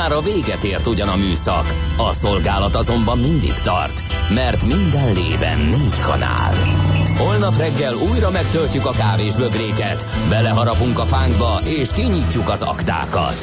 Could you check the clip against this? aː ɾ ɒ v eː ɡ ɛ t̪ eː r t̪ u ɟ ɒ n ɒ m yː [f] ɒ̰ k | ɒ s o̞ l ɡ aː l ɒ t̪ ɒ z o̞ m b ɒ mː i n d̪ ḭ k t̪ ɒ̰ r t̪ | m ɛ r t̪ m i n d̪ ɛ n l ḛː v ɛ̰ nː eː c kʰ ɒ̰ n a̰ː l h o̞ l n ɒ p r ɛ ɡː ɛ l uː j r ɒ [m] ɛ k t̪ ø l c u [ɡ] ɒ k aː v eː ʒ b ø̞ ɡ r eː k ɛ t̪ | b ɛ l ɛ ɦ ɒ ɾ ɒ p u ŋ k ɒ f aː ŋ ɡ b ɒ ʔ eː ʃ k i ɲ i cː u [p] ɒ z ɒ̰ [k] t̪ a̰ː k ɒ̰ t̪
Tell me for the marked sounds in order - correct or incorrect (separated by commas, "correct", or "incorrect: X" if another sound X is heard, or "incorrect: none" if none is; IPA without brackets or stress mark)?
incorrect: s, correct, incorrect: k, incorrect: k, correct